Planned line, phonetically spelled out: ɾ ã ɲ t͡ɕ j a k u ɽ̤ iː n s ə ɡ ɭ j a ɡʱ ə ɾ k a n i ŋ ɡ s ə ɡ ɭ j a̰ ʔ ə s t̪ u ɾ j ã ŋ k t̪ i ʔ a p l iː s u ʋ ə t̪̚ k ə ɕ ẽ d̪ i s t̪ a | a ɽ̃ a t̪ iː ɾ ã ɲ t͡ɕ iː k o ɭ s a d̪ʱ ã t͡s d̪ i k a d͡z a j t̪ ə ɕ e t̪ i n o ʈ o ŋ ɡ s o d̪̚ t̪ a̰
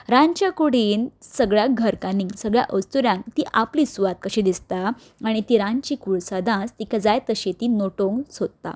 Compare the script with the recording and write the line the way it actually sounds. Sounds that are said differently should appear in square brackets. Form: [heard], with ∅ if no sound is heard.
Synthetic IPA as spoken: ɾ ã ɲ t͡ɕ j a k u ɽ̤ iː n s ə ɡ ɭ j a ɡʱ ə ɾ k a n i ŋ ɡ s ə ɡ ɭ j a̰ ʔ ə s t̪ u ɾ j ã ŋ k t̪ i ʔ a p l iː s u ʋ [a] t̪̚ k ə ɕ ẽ d̪ i s t̪ a | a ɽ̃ [i] t̪ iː ɾ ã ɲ t͡ɕ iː k [u] ɭ s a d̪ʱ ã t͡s [t̪] i k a d͡z a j t̪ ə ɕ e t̪ i n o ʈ o ŋ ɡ s o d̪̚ t̪ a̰